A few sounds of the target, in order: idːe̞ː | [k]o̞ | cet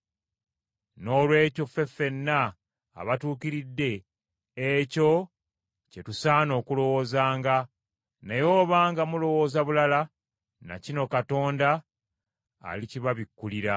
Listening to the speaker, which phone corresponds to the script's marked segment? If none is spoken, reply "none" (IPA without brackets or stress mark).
c